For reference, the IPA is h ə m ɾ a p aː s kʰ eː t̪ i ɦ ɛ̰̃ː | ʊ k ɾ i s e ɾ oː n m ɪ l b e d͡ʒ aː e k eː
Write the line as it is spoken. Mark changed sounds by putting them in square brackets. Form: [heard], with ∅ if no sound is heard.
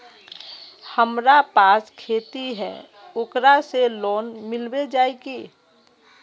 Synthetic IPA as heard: h ə m ɾ a p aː s kʰ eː t̪ i ɦ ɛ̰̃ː | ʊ k ɾ [a] s e [l] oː n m ɪ l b e d͡ʒ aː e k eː